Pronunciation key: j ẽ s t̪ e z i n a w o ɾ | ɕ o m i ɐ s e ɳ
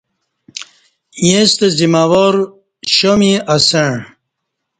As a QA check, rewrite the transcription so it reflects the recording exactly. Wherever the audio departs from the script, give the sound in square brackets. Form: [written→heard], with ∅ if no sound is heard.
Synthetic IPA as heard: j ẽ s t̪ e z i [n→m] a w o ɾ | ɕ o m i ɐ s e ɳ